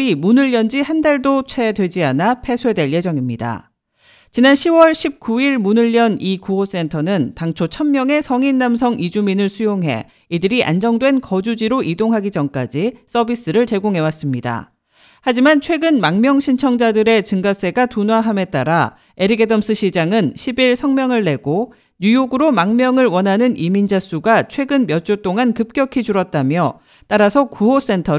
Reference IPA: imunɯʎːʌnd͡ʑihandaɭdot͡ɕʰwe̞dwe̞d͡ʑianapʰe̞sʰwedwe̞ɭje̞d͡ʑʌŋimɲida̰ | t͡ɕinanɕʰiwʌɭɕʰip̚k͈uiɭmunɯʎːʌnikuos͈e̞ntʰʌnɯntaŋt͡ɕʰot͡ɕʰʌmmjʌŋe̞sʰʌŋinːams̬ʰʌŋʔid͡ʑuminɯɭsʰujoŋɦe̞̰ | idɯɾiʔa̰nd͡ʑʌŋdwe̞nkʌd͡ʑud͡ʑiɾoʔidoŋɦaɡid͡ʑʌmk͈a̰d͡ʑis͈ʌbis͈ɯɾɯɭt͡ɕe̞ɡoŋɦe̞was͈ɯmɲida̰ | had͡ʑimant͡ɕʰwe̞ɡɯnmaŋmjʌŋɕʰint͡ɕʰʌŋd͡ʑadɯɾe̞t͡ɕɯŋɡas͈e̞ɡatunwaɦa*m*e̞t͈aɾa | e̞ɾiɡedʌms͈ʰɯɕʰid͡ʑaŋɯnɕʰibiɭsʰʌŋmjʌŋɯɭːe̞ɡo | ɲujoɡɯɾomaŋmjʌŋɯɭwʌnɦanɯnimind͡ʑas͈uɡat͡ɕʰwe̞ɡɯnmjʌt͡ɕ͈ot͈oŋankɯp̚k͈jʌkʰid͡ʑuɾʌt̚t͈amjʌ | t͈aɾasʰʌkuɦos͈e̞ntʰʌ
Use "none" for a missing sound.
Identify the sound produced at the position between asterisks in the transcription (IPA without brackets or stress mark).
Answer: m